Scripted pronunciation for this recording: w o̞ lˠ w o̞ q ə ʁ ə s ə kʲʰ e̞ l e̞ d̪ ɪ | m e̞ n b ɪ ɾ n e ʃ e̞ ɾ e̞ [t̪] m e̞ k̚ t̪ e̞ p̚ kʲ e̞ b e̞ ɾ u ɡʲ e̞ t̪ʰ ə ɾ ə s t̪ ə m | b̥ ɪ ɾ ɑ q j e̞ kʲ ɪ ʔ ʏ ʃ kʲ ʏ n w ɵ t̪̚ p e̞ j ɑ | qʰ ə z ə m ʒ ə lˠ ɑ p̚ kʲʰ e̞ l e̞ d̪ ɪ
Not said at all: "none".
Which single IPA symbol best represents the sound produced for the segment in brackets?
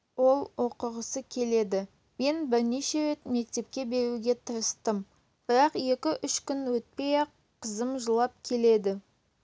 t̪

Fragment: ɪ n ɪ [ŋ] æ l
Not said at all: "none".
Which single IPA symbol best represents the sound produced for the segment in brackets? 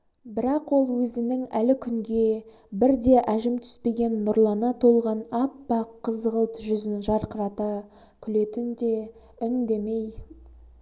ŋ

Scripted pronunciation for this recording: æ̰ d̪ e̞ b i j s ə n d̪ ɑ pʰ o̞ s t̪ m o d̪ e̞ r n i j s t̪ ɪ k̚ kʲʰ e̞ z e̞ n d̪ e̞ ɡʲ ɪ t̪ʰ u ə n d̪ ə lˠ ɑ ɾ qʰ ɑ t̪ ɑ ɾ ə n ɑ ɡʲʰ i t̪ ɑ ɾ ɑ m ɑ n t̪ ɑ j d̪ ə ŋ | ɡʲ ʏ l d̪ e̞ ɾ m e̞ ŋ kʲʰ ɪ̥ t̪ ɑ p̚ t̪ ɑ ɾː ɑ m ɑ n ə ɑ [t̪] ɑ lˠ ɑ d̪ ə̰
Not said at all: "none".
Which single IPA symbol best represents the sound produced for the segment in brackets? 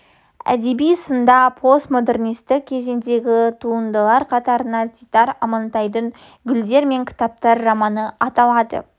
t̪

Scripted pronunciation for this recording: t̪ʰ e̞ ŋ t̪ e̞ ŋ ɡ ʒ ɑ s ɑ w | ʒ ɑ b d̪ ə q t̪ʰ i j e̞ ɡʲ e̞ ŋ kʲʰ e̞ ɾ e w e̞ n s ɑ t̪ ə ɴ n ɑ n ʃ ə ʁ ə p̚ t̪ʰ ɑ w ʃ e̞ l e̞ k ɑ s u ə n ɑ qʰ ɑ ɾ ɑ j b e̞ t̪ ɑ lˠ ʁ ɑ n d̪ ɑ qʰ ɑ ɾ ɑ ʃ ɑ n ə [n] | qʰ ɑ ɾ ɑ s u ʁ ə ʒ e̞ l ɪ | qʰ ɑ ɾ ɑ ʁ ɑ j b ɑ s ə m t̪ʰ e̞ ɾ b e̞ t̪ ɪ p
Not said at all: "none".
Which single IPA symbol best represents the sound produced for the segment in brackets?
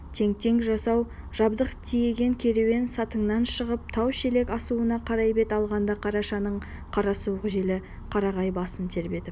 ɴ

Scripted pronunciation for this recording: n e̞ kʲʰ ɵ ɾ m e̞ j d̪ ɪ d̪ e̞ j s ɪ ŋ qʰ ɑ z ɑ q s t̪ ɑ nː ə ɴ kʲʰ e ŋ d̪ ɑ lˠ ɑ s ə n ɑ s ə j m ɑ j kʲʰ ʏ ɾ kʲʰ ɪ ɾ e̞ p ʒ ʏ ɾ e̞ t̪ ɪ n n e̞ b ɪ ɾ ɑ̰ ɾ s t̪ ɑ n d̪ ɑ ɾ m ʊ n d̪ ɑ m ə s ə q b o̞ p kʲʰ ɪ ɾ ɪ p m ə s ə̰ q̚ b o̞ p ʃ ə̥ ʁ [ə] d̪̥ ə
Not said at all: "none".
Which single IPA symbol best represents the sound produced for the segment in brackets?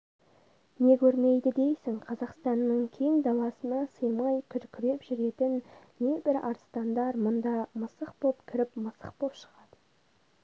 ɑ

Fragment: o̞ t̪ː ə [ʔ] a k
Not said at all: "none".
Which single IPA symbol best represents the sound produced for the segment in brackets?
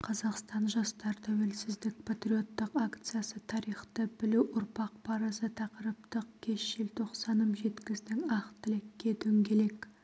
q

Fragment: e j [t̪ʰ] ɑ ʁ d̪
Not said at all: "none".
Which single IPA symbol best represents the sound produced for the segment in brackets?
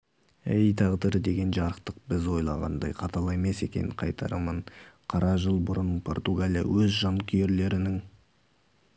t̪ʰ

